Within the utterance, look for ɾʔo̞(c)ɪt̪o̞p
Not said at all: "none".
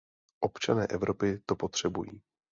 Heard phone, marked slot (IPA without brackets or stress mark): p